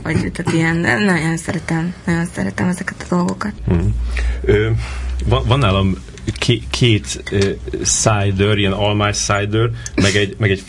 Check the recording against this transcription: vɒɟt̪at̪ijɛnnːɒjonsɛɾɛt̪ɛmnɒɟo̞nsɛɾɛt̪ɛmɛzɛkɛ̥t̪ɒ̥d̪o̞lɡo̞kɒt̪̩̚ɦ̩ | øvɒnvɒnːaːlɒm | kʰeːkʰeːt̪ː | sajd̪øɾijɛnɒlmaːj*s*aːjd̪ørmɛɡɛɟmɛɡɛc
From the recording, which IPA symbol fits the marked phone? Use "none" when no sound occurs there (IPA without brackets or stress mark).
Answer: s